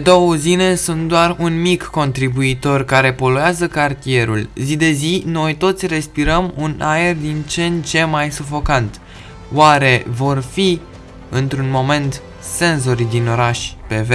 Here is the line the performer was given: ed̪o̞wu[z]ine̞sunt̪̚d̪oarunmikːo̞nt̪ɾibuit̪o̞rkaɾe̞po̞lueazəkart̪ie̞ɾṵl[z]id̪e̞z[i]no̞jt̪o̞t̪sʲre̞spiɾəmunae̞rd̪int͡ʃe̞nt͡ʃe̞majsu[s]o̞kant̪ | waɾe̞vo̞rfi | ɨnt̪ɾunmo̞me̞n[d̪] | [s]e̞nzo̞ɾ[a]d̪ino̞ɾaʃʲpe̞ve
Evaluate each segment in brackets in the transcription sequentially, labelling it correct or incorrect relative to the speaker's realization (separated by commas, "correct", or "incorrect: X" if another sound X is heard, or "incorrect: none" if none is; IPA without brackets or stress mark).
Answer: correct, correct, correct, incorrect: f, incorrect: t̪, correct, incorrect: i